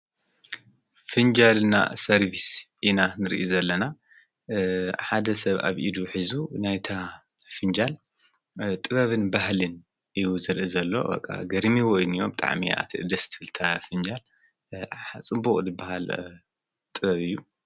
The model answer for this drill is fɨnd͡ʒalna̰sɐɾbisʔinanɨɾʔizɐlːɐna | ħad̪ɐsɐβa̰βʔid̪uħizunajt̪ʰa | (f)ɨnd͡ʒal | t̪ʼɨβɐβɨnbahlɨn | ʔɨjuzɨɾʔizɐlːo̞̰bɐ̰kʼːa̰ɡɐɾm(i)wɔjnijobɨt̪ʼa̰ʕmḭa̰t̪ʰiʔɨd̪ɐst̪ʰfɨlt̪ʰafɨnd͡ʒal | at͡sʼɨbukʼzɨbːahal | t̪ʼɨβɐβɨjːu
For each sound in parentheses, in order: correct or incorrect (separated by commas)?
correct, correct